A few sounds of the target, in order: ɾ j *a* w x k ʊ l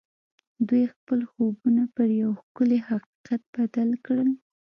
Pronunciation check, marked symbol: correct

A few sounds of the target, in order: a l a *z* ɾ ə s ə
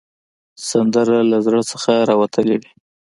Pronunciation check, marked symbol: correct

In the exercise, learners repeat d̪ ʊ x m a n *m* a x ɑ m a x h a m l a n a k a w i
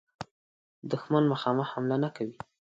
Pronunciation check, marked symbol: correct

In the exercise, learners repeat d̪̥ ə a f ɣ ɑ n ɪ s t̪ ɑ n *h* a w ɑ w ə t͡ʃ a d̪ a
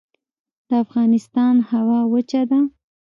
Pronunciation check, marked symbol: correct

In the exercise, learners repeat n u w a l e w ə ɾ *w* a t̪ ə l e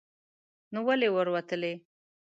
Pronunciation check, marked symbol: correct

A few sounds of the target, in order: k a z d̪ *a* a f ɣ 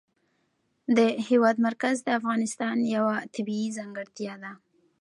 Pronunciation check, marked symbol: incorrect: ə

